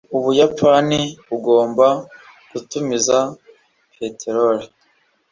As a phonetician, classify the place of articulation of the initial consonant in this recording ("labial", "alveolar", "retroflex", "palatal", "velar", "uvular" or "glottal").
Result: labial